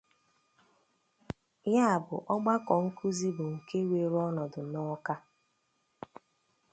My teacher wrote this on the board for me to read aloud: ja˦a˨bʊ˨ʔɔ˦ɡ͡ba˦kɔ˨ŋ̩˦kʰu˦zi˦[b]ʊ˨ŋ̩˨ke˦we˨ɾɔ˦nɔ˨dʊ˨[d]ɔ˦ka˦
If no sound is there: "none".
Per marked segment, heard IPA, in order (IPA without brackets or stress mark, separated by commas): b, n